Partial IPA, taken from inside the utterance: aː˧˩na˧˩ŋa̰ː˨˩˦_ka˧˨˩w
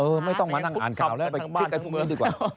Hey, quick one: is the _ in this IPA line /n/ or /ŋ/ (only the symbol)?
n